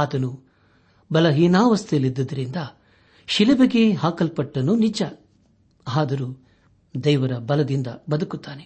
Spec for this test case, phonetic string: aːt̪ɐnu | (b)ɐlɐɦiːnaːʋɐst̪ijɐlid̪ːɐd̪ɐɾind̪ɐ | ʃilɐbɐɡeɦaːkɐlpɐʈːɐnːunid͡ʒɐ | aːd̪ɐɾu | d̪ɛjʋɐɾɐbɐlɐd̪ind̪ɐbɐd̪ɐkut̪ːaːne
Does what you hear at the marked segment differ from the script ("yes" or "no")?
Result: no